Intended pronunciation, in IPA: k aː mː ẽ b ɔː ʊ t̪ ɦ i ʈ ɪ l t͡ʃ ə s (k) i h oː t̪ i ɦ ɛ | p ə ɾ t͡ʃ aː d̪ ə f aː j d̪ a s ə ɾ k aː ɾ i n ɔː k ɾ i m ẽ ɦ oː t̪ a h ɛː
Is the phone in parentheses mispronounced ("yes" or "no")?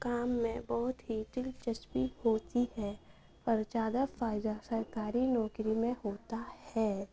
yes